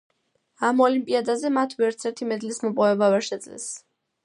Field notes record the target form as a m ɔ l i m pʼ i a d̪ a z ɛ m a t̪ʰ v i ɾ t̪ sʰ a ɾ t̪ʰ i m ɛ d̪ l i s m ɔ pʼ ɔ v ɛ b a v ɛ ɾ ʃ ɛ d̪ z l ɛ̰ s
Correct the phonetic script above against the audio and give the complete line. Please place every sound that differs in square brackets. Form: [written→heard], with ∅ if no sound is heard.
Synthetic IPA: a m ɔ l i m pʼ i a d̪ a z ɛ m a t̪ʰ v [i→ɛ] ɾ t̪ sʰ [a→ɛ] ɾ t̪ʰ i m ɛ d̪ l i s m ɔ pʼ ɔ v ɛ b a v ɛ ɾ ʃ ɛ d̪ z l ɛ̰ s